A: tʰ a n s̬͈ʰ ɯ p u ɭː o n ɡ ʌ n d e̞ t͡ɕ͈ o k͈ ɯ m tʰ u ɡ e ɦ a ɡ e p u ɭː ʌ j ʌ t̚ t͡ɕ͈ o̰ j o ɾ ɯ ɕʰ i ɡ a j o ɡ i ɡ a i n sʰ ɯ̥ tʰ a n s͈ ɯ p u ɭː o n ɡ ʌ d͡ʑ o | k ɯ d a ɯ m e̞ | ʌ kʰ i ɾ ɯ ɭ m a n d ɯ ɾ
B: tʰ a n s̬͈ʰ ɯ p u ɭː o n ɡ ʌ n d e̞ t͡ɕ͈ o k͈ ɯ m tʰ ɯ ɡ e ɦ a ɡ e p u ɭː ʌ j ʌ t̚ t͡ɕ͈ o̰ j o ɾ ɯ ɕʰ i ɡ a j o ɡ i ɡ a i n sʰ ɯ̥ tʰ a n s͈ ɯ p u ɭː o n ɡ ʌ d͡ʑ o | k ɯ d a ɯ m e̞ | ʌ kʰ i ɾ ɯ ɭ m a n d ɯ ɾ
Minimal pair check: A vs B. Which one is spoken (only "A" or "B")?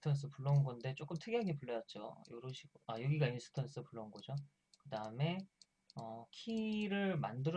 B